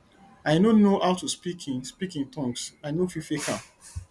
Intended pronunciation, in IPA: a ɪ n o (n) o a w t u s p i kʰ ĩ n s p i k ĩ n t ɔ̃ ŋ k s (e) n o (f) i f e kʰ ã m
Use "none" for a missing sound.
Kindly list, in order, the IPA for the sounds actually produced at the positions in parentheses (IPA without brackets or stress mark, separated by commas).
n, a, f